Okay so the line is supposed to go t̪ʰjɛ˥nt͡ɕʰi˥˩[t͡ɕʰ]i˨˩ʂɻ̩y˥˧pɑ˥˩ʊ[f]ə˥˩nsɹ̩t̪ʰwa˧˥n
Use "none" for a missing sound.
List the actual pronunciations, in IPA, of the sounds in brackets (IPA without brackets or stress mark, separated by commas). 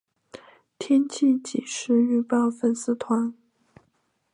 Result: t͡ɕ, f